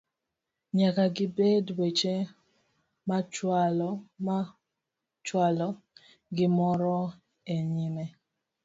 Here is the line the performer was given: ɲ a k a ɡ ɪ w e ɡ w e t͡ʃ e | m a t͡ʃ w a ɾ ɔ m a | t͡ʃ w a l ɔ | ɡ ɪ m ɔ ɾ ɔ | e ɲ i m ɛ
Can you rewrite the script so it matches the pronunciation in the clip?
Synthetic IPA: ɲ a k a ɡ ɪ b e d w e t͡ʃ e | m a t͡ʃ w a l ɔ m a | t͡ʃ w a l ɔ | ɡ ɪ m ɔ ɾ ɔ | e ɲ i m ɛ